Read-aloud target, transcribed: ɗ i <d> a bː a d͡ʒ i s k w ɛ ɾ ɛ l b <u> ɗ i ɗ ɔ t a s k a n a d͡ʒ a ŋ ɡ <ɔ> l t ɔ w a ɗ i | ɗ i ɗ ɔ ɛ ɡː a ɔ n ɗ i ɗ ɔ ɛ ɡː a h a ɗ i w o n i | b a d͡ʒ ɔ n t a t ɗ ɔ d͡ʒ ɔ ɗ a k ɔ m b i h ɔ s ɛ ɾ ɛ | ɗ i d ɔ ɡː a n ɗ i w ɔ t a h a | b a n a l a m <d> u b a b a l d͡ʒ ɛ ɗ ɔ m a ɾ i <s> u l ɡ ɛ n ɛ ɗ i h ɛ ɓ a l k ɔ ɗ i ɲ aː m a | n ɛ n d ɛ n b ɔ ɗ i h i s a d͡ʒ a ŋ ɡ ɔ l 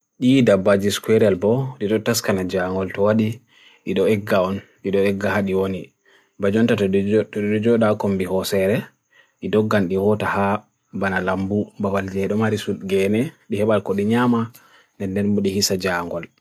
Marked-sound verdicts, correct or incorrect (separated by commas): correct, incorrect, correct, incorrect, correct